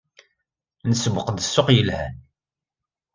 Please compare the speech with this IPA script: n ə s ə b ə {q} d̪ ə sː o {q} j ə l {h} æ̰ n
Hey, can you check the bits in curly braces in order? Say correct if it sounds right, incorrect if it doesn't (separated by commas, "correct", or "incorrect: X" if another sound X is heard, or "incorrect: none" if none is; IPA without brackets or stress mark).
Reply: correct, correct, correct